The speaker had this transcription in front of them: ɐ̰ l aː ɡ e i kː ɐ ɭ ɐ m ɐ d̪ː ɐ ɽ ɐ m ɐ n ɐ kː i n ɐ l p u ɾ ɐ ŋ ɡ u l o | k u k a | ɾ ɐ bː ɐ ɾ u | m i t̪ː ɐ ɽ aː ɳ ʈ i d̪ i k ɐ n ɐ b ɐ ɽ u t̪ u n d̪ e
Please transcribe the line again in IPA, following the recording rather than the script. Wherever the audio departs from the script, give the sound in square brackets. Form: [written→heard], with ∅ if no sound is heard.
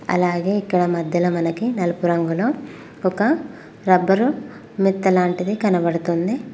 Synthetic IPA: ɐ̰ l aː ɡ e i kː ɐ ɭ ɐ m ɐ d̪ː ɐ [ɽ→l] ɐ m ɐ n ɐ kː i n ɐ l p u ɾ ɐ ŋ ɡ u l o | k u k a | ɾ ɐ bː ɐ ɾ u | m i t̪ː ɐ [ɽ→l] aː ɳ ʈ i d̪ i k ɐ n ɐ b ɐ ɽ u t̪ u n d̪ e

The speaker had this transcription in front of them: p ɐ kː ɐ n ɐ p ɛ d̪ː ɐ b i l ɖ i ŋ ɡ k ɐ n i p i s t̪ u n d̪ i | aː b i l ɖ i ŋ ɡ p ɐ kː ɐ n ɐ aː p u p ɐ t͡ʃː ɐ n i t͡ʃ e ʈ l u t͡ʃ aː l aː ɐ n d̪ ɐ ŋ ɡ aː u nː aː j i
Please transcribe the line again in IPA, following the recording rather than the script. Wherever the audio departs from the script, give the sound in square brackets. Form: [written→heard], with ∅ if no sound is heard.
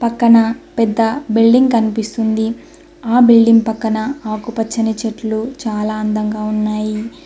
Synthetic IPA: p ɐ kː ɐ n ɐ p ɛ d̪ː ɐ b i l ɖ i ŋ ɡ k ɐ n i p i s t̪ u n d̪ i | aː b i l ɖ i ŋ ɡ p ɐ kː ɐ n ɐ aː [p→k] u p ɐ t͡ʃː ɐ n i t͡ʃ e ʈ l u t͡ʃ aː l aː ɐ n d̪ ɐ ŋ ɡ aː u nː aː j i

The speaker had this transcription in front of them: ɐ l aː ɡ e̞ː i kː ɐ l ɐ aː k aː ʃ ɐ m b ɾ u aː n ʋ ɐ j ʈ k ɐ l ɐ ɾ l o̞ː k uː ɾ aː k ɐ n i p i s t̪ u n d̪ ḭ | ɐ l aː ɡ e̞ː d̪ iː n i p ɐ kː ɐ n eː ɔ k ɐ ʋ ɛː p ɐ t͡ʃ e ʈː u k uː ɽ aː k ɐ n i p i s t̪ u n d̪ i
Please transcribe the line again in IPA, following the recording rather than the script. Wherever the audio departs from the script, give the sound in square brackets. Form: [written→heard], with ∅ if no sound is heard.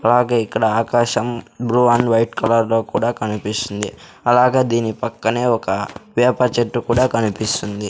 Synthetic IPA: ɐ l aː ɡ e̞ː i kː ɐ [l→ɽ] ɐ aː k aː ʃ ɐ m b ɾ u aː n ʋ ɐ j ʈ k ɐ l ɐ ɾ l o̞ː k uː [ɾ→ɽ] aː k ɐ n i p i s t̪ u n d̪ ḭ | ɐ l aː ɡ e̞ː d̪ iː n i p ɐ kː ɐ n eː ɔ k ɐ ʋ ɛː p ɐ t͡ʃ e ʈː u k uː ɽ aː k ɐ n i p i s t̪ u n d̪ i

